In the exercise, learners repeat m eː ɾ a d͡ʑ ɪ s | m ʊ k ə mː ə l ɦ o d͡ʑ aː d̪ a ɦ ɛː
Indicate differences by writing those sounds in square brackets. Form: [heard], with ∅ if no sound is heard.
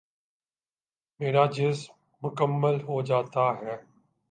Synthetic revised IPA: m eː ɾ a d͡ʑ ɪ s | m ʊ k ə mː ə l ɦ o d͡ʑ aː [t̪] a ɦ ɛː